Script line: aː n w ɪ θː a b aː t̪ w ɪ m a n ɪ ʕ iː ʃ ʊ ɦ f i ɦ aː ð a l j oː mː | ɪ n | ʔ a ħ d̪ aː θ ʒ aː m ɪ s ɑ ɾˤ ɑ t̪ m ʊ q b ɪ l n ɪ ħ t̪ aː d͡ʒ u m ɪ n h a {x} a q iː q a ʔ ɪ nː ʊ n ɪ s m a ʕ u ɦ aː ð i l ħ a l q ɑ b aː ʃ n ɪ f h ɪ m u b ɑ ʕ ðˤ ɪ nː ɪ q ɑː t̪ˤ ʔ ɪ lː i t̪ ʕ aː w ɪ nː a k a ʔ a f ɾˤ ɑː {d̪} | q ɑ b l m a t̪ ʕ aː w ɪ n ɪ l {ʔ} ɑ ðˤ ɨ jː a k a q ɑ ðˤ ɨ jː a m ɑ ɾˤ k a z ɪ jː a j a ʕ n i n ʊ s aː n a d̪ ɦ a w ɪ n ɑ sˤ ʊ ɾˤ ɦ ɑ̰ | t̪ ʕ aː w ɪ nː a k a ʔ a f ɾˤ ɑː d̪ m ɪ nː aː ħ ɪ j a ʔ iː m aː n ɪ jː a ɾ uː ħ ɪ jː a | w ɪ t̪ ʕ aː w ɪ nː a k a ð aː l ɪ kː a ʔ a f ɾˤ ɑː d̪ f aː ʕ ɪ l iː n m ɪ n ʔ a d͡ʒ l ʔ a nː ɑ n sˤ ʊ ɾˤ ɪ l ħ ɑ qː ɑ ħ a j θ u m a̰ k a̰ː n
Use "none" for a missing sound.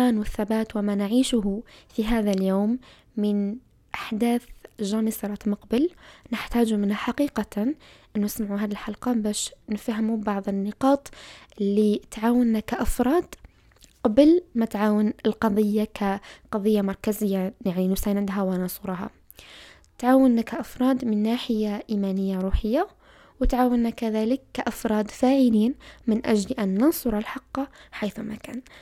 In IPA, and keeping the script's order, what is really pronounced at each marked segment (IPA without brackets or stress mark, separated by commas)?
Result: ħ, d̪, q